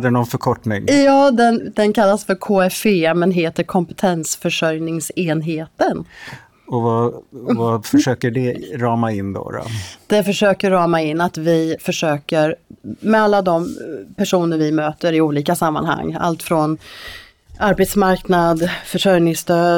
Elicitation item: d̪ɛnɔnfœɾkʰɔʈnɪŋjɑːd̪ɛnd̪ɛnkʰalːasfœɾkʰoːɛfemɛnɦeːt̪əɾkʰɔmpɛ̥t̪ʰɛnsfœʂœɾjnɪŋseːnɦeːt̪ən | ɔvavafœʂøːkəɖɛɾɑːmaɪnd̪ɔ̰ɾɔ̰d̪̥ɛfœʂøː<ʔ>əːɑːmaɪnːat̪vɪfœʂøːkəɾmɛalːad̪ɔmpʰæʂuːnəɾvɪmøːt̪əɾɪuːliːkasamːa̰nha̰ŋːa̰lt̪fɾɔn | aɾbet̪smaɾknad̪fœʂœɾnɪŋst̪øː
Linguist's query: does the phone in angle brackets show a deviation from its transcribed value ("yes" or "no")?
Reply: yes